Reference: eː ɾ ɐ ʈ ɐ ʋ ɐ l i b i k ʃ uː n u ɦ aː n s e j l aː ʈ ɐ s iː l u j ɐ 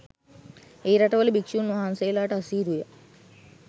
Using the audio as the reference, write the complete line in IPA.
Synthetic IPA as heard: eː ɾ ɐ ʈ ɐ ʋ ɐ l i b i k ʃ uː n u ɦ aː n s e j l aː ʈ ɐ s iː ɾ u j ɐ